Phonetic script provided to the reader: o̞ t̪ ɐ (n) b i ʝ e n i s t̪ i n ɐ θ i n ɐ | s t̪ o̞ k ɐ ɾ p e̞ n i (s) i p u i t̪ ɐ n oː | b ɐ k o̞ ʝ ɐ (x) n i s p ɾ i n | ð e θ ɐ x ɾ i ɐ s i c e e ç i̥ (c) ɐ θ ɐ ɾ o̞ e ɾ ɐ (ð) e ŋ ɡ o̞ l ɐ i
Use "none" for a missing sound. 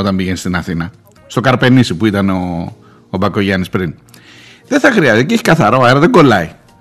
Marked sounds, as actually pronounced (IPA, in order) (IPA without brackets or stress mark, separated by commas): m, s, none, k, ð